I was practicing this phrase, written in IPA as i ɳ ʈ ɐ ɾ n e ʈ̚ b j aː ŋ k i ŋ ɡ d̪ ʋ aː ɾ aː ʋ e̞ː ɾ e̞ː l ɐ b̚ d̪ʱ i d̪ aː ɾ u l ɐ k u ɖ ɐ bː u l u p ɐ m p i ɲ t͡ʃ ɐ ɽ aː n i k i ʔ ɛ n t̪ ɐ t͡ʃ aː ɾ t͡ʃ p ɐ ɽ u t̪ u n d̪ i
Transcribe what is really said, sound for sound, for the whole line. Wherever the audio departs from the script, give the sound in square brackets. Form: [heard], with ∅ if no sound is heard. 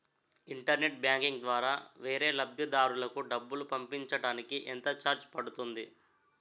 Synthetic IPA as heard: i ɳ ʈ ɐ ɾ n e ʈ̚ b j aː ŋ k i ŋ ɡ d̪ ʋ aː ɾ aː ʋ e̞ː ɾ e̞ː l ɐ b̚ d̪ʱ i d̪ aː ɾ u l ɐ k u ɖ ɐ bː u l u p ɐ m p i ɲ t͡ʃ ɐ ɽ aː n i k i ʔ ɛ n t̪ ɐ t͡ʃ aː ɾ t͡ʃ p ɐ ɽ u t̪ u n d̪ i